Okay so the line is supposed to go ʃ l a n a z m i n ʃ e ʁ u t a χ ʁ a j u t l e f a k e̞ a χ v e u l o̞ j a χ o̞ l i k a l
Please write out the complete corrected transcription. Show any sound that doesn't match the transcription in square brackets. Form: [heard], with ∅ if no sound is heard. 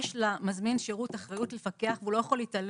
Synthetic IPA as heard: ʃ l a [m] a z m i n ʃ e ʁ u t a χ ʁ a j u t l e f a k e̞ a χ v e u l o̞ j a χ o̞ l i [t] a l

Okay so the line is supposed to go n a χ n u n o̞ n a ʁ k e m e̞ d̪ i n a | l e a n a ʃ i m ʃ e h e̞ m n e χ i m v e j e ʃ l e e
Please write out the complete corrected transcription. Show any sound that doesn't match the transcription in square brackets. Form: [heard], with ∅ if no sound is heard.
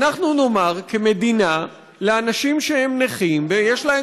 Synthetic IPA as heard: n a χ n u n o̞ [m] a ʁ k e m e̞ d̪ i n a | l e a n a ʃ i m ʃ e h e̞ m n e χ i m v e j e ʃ l [a] e

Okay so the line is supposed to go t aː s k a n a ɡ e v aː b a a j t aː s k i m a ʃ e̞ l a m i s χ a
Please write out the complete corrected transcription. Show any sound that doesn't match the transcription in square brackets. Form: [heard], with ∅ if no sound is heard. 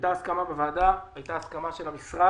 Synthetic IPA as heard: t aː s k a [m] a [b] e v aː [d] a a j t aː s k [a] m a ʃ e̞ l a m i s [ʁ] a

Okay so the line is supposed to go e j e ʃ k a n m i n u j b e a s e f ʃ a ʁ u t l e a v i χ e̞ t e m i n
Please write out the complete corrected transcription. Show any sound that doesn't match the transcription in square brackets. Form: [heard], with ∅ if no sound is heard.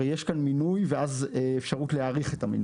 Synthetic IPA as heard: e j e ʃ k a n m i n u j [v] e a [z] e f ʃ a ʁ u t l e a [ʁ] i χ e̞ t [a] m i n

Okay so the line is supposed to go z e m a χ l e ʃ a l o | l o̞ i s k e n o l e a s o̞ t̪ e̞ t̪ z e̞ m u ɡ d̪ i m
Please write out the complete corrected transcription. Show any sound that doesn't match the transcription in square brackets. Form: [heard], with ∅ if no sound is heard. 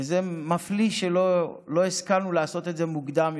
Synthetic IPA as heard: z e m a [f] l [i] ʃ [e] l o | l o̞ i s k [a] n [u] l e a s o̞ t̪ e̞ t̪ z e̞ m u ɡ d̪ [a] m

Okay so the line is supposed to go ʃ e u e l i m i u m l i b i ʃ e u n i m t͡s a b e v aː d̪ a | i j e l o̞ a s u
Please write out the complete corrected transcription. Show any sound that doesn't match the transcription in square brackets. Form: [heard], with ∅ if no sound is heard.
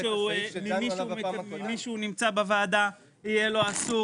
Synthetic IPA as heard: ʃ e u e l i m i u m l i [m] i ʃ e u n i m t͡s a b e v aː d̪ a | i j e l o̞ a s u

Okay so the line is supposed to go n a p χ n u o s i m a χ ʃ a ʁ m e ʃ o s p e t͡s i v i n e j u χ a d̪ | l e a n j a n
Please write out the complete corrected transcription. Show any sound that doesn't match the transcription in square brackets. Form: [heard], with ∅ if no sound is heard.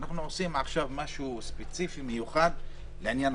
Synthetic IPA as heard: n a [∅] χ n u o s i m a χ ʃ a [v] m [a] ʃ [u] s p e t͡s i [f] i [m] e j u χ a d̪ | l e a n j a n

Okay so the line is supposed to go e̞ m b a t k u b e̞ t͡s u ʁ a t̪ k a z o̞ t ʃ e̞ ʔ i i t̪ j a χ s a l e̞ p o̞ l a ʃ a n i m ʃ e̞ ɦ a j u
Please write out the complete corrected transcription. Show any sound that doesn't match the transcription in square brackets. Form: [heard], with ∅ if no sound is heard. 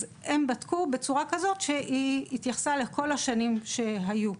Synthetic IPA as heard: e̞ m b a t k u b e̞ t͡s u ʁ a [∅] k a z o̞ t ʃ e̞ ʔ i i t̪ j a χ s a l e̞ [k] o̞ l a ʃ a n i m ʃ e̞ ɦ a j u

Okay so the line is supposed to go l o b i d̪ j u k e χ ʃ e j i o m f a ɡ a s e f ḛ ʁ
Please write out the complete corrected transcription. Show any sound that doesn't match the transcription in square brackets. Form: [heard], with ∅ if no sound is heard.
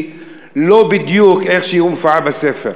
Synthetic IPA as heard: l o b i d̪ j u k e χ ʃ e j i [u] m f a [b] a s e f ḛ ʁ

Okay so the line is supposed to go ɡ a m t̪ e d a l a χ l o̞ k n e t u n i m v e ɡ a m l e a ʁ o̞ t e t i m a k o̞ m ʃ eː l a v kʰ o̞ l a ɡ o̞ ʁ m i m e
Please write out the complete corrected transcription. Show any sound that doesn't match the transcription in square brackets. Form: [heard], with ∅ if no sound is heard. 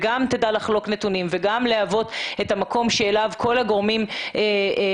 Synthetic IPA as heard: ɡ a m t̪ e d a l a χ l o̞ k n e t u n i m v e ɡ a m l e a [v] o̞ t e t [a] m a k o̞ m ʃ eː l a v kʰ o̞ l a ɡ o̞ ʁ m i m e

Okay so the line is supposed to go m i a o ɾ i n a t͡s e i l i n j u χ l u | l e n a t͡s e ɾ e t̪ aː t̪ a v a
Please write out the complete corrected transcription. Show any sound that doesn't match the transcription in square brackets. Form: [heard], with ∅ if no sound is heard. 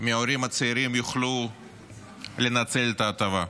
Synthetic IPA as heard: m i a o ɾ i [m] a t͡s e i [ɾ] i [m] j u χ l u | l e n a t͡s e [l] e t̪ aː t̪ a v a

